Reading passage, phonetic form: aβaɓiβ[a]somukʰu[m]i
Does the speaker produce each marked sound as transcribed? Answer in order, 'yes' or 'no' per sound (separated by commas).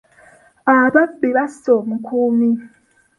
yes, yes